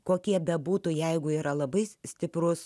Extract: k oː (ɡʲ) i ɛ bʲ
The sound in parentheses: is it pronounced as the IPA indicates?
no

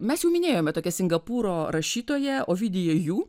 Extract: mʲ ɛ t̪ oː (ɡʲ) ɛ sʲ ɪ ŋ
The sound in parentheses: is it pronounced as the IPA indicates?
no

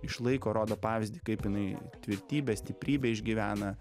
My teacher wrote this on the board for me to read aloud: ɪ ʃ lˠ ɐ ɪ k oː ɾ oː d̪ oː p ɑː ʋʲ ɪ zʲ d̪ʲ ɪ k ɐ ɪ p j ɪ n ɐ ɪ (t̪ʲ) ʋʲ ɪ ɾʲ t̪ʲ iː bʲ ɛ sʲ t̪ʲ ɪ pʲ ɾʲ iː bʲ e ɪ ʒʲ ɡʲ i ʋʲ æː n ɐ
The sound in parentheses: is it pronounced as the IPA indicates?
yes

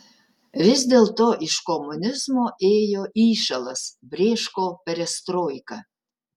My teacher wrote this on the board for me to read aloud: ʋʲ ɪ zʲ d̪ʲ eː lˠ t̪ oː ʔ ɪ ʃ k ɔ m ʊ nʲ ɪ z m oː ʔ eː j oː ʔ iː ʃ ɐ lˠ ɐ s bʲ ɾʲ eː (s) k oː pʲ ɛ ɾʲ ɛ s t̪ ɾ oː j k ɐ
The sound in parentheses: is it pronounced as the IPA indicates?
no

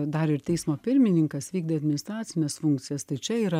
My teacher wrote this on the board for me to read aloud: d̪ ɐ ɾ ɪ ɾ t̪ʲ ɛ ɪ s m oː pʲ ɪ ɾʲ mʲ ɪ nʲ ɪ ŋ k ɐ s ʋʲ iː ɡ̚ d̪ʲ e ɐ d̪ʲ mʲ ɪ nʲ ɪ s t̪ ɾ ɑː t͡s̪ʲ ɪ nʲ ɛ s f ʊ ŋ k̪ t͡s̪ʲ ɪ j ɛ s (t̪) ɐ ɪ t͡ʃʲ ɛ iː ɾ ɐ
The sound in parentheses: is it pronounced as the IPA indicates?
yes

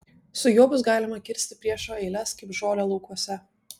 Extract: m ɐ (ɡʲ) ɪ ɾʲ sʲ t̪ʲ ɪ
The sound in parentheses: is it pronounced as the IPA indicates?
no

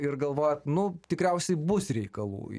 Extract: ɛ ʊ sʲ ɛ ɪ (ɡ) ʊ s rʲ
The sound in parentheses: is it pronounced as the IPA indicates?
no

